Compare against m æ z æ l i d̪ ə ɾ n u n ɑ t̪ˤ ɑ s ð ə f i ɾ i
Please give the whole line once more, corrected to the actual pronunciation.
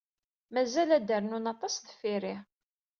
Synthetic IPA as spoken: m æ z æ l æ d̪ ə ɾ n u n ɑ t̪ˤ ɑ s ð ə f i ɾ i